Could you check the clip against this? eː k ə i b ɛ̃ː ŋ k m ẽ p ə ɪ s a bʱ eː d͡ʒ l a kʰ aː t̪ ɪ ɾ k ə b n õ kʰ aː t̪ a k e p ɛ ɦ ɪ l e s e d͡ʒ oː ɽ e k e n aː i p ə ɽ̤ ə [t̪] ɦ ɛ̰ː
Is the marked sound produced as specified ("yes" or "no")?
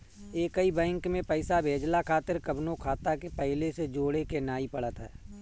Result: yes